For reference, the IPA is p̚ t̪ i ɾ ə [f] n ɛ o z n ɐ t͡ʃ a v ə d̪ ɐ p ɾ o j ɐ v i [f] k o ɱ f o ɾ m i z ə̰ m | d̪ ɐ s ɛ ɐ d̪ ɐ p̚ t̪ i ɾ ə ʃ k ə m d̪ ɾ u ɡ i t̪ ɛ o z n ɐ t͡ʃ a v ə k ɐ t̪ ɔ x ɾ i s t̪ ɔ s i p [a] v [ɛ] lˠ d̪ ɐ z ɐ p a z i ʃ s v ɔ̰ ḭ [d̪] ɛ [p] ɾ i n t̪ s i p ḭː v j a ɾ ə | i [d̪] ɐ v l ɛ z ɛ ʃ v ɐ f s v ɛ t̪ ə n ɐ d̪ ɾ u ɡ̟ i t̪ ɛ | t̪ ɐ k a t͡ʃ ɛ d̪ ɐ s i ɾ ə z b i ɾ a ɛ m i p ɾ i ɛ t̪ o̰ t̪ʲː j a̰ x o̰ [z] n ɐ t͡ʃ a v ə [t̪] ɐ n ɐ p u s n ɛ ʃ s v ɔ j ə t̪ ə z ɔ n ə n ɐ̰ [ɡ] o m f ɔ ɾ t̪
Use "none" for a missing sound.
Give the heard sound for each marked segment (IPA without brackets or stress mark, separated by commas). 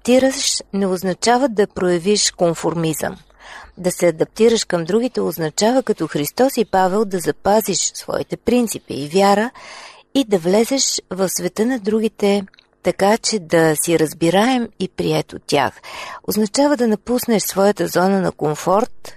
ʃ, ʃ, a, ɛ, t̪, p, d̪, z, d̪, k